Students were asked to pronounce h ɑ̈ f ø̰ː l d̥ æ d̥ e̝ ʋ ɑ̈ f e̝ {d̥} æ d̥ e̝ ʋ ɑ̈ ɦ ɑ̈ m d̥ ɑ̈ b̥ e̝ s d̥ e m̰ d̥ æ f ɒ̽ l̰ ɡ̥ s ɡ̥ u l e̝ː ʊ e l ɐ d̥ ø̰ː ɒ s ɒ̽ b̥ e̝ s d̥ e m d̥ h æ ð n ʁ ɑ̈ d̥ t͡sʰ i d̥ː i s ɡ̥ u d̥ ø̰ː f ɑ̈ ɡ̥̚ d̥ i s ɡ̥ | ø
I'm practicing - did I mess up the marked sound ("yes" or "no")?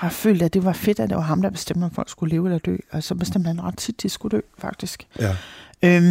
no